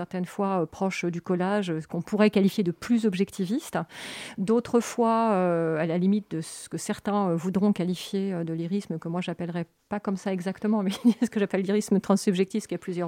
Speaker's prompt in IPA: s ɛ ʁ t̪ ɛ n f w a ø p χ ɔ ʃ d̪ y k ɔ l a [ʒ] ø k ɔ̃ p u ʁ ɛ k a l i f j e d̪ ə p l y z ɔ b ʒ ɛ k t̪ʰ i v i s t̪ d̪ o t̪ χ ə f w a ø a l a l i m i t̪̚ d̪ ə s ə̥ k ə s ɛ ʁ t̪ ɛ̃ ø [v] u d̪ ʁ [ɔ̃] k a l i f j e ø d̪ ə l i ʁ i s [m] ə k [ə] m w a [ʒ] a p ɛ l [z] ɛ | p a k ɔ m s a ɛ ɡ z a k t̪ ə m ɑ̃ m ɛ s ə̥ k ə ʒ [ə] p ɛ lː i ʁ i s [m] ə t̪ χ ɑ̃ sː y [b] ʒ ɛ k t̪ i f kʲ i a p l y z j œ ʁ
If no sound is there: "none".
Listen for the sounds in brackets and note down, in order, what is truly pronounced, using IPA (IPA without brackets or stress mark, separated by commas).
ʒ, v, ɔ̃, m, ə, ʒ, ʁ, a, m, b